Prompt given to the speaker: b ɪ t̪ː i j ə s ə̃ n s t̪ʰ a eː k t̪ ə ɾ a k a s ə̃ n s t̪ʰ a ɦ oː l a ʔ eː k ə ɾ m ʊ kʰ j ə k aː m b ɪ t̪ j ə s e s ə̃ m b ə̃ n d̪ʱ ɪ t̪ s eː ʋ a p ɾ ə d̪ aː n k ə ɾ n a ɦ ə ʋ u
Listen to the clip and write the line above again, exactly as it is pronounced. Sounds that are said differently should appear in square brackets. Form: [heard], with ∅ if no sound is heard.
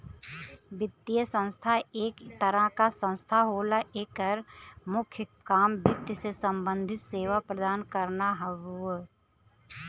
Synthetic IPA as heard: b ɪ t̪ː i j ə s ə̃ n s t̪ʰ a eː k t̪ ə ɾ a k a s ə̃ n s t̪ʰ a ɦ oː l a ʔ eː k ə ɾ m ʊ kʰ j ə k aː m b ɪ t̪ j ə s e s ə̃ m b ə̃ n d̪ʱ ɪ t̪ s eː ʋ a p ɾ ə d̪ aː n k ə ɾ n a ɦ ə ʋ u

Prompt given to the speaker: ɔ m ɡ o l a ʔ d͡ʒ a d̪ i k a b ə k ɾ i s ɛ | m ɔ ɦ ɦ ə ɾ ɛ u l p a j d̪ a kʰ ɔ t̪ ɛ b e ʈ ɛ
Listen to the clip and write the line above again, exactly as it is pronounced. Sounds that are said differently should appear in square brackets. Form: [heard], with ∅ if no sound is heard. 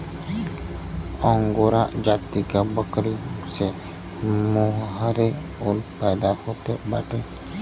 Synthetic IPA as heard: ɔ [ŋ] ɡ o [ɾ] a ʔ d͡ʒ a [t̪] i k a b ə k ɾ i s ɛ | m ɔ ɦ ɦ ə ɾ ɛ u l p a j d̪ a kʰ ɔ t̪ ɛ b [a] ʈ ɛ

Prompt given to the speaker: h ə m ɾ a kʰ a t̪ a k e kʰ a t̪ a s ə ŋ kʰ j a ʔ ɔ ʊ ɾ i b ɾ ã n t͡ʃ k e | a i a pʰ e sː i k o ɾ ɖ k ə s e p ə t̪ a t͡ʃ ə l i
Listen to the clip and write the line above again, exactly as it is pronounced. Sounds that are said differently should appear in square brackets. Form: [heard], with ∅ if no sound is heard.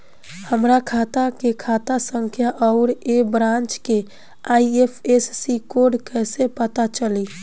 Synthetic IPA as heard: h ə m ɾ a kʰ a t̪ a k e kʰ a t̪ a s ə ŋ kʰ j a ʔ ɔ ʊ ɾ [e] b ɾ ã n t͡ʃ k e | a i [e] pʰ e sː i k o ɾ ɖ k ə s e p ə t̪ a t͡ʃ ə l i

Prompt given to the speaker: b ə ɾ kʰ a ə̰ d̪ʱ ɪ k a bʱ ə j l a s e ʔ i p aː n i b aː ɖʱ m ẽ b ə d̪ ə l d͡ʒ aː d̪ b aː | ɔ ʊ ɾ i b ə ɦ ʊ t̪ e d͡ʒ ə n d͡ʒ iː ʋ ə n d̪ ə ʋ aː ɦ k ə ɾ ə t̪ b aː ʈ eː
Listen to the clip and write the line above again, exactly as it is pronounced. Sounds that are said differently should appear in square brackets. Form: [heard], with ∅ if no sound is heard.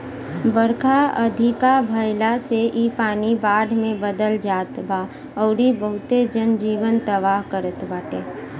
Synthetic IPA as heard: b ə ɾ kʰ a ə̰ d̪ʱ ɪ k a bʱ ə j l a s e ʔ i p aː n i b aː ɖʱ m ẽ b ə d̪ ə l d͡ʒ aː [t̪] b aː | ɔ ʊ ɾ i b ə ɦ ʊ t̪ e d͡ʒ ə n d͡ʒ iː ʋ ə n [t̪] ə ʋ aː ɦ k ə ɾ ə t̪ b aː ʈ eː

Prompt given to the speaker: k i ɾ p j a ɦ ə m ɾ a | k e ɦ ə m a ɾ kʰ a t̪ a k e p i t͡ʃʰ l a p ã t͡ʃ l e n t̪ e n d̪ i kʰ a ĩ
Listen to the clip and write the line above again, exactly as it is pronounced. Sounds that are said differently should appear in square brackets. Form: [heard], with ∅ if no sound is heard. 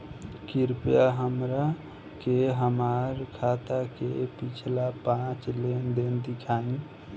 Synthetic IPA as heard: k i ɾ p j a ɦ ə m ɾ a | k e ɦ ə m a ɾ kʰ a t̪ a k e p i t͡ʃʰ l a p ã t͡ʃ l e n [d̪] e n d̪ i kʰ a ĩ

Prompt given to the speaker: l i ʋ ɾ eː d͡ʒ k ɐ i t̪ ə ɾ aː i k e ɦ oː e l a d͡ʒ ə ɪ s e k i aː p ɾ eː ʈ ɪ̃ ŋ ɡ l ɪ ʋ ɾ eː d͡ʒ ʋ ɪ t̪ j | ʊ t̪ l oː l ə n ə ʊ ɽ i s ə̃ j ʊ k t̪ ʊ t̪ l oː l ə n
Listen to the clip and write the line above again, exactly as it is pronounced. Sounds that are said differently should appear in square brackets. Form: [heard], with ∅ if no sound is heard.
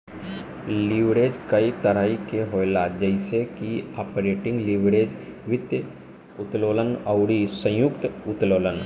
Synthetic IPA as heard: l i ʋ ɾ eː d͡ʒ k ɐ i t̪ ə ɾ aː i k e ɦ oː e l a d͡ʒ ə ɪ s e k i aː p ɾ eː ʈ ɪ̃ ŋ ɡ l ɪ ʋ ɾ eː d͡ʒ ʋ ɪ t̪ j | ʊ t̪ l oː l ə n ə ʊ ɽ i s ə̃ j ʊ k t̪ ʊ t̪ l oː l ə n

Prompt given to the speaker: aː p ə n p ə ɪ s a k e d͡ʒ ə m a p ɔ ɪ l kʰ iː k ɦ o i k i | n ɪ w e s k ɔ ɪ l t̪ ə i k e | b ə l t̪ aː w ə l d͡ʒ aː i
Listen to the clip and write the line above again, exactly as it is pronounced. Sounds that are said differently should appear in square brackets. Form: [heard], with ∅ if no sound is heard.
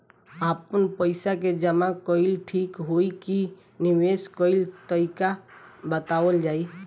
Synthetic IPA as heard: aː p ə n p ə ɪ s a k e d͡ʒ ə m a [k] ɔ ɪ l [ʈʰ] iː k ɦ o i k i | n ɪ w e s k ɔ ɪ l t̪ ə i k [a] | b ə [∅] t̪ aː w ə l d͡ʒ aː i

